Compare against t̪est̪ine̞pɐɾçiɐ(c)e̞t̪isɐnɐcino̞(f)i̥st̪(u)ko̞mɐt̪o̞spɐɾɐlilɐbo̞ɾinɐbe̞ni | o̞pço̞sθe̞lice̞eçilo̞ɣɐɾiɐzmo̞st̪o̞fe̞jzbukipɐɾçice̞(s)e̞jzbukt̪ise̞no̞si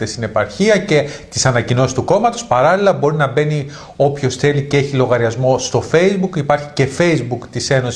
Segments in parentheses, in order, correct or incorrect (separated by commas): correct, incorrect, correct, incorrect